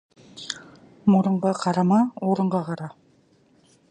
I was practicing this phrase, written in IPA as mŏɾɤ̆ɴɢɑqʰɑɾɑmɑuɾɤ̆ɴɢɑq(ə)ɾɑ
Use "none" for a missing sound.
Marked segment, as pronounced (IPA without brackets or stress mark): ɑ